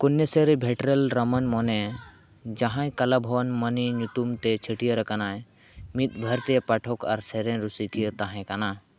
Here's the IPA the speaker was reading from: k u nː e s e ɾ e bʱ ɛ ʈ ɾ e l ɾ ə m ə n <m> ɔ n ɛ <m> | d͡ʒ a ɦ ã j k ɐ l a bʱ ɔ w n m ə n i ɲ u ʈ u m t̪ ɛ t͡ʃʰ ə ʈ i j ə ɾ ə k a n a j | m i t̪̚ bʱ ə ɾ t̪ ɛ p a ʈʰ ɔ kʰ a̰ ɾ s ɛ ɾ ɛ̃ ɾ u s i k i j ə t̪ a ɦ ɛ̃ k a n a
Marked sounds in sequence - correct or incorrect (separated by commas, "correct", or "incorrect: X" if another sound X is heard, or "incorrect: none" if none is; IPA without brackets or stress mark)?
correct, incorrect: none